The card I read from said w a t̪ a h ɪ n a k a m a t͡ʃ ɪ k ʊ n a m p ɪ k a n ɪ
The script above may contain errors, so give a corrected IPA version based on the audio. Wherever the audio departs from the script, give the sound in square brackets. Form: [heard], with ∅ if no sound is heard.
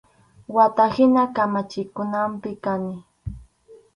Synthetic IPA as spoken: w a t̪ a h ɪ n a k a m a t͡ʃ ɪ k ʊ n a m p ɪ k a n ɪ

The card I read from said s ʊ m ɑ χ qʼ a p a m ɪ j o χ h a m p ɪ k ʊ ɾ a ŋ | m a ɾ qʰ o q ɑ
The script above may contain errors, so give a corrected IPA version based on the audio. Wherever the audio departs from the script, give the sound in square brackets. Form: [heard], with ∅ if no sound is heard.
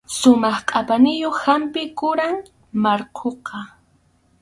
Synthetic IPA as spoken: s ʊ m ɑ χ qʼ a p a [n] ɪ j o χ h a m p ɪ k ʊ ɾ a ŋ | m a ɾ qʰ o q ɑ

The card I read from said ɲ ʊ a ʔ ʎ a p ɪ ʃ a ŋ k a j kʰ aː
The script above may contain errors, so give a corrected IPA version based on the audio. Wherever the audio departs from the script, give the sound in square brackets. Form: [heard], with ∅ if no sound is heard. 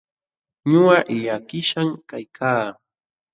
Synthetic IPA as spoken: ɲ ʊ a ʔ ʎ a [k] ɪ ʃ a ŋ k a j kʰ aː

